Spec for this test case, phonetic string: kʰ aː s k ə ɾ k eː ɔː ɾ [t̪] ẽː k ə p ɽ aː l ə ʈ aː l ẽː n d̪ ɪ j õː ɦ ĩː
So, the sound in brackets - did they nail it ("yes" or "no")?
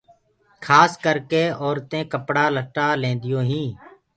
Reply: yes